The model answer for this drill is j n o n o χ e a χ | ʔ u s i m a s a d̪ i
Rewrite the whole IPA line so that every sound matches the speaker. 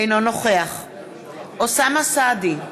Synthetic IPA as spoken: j n o n o χ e a χ | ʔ o s a m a s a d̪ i